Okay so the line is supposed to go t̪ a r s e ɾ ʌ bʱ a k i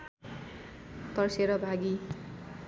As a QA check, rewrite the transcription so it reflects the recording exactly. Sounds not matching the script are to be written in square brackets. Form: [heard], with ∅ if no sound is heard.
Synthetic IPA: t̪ [ʌ] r s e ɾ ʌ bʱ a [ɡ] i